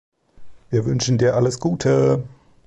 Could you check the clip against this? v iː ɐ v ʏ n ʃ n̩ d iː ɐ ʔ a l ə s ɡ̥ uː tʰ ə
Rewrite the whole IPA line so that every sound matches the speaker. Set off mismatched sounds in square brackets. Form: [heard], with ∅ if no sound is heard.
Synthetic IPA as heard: v iː ɐ v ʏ n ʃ n̩ d iː ɐ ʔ a l ə s ɡ̥ uː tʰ ə